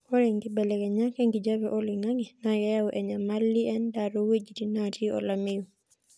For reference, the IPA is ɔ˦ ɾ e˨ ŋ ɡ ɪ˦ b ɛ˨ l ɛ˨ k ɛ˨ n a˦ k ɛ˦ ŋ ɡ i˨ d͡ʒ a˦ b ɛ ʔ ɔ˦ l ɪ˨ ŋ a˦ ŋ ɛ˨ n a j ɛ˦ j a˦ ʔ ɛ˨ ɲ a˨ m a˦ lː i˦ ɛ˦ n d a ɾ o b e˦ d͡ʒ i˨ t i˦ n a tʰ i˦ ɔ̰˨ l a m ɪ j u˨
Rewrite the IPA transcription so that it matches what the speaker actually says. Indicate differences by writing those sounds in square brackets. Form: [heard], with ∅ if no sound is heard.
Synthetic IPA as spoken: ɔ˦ ɾ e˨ ŋ ɡ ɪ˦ b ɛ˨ l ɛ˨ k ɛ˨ [ɲ] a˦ k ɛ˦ ŋ ɡ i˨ d͡ʒ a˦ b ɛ ʔ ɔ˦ l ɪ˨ ŋ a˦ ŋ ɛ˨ n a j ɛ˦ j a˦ ʔ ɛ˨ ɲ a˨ m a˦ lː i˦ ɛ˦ n d a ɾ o [w] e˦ d͡ʒ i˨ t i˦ n a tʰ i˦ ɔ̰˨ l a m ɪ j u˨